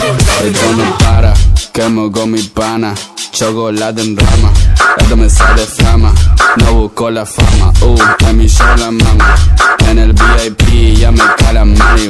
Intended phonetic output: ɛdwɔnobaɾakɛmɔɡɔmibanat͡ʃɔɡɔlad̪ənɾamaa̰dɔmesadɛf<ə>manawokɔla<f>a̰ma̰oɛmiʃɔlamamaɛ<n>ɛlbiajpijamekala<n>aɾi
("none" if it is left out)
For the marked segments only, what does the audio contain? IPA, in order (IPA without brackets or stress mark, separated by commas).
a, f, n, m